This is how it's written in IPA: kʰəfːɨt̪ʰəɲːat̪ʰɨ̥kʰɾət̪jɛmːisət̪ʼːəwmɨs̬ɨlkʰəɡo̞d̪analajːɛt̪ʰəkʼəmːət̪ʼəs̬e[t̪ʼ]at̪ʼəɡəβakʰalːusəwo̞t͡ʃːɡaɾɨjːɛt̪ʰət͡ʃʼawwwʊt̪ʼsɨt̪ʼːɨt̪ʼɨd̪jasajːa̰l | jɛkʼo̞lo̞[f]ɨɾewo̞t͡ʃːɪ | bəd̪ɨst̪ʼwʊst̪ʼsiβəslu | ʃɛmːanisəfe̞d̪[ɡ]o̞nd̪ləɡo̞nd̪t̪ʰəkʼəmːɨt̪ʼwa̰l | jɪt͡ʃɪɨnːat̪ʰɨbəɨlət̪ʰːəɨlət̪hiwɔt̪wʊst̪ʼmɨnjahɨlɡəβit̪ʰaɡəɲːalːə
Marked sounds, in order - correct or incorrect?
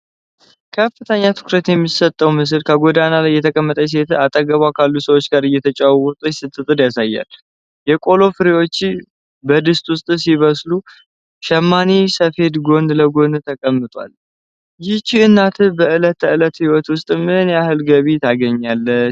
incorrect, correct, correct

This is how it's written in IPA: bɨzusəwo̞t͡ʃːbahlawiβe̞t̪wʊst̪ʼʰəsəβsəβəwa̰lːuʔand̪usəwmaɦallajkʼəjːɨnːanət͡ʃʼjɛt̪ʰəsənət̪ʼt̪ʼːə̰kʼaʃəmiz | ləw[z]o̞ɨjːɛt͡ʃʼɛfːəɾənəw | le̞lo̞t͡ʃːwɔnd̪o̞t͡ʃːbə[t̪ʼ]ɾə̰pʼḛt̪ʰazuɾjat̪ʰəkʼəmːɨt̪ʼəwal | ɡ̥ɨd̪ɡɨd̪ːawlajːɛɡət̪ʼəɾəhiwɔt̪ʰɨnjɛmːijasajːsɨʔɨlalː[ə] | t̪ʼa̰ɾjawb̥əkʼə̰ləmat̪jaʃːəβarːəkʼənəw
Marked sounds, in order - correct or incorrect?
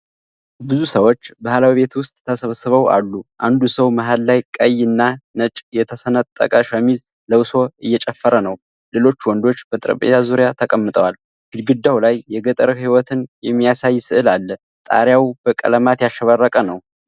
incorrect, correct, correct

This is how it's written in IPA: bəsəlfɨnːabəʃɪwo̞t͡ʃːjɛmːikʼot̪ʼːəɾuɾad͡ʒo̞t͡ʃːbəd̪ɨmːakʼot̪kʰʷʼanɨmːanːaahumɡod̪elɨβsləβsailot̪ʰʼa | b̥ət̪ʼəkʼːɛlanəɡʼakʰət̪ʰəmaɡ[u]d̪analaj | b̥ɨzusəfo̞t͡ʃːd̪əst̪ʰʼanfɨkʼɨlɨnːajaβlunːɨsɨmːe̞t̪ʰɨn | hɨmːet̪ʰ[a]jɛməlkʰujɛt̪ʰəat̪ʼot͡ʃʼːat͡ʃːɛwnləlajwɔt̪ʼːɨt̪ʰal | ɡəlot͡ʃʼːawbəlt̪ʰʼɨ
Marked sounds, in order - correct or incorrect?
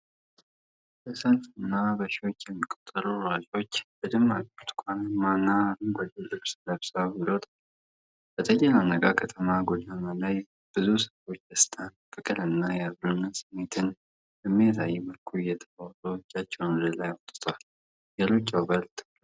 incorrect, correct

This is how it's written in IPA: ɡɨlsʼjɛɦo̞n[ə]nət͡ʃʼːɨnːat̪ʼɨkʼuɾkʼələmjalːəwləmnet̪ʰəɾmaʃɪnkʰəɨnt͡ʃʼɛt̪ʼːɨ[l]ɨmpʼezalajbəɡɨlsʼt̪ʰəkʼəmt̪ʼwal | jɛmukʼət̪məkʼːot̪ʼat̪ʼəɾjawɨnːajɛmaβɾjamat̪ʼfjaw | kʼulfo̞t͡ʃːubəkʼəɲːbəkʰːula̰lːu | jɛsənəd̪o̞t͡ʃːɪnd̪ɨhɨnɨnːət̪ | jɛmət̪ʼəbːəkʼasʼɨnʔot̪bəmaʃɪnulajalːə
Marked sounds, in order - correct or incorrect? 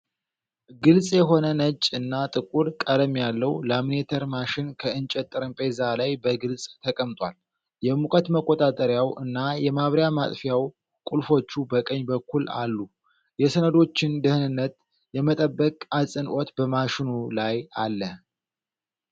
correct, incorrect

